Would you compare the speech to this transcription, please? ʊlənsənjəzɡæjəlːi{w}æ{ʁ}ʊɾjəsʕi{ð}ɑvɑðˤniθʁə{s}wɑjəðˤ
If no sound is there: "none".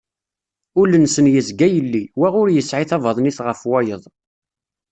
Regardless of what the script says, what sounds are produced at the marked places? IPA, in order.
w, ʁ, θ, f

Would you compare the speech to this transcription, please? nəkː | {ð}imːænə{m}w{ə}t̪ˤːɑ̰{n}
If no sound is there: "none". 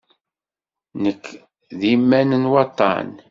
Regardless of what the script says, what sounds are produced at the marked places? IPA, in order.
ð, n, ɑ, n

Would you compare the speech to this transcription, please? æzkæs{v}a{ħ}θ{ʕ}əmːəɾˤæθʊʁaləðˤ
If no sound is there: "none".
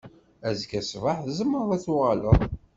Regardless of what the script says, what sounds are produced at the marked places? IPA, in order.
v, ħ, z

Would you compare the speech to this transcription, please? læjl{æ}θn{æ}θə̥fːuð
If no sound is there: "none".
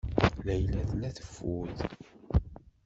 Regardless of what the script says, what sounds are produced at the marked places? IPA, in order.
æ, æ

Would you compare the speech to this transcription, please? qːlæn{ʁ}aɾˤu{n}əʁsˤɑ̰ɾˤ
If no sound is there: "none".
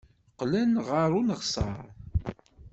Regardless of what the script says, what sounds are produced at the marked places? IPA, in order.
ʁ, n

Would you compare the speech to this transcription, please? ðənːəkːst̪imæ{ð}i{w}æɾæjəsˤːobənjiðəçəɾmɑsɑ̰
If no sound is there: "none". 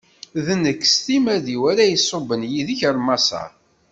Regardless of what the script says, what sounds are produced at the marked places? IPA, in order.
ð, w

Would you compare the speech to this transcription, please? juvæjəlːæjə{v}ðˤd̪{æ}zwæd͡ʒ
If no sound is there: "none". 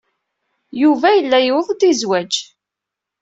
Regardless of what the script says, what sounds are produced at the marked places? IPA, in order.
w, i

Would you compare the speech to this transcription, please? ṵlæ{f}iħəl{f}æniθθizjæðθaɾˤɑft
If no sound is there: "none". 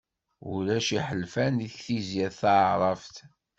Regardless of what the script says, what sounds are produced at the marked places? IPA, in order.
ʃ, f

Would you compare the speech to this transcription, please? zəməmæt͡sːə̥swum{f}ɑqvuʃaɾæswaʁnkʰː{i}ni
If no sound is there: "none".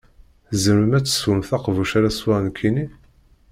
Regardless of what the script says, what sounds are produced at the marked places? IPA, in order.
θ, i

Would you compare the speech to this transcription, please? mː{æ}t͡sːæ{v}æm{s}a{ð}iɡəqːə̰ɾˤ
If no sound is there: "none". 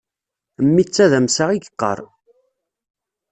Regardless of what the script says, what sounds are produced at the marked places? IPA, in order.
i, ð, s, ʁ

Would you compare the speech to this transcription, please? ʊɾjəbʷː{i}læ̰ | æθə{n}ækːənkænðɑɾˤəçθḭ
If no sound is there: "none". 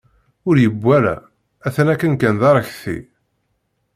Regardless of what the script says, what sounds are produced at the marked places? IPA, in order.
æ, n

